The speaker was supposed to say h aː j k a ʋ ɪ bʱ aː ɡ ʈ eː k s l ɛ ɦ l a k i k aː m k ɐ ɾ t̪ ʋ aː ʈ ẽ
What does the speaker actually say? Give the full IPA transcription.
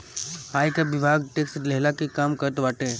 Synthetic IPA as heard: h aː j k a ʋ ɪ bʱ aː ɡ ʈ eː k s l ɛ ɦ l a k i k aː m k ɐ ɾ t̪ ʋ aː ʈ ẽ